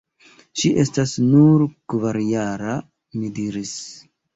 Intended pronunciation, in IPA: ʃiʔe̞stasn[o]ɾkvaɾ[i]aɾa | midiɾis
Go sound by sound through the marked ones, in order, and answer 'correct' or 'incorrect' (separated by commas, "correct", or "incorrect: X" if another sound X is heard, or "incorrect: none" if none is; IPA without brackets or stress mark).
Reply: incorrect: u, incorrect: j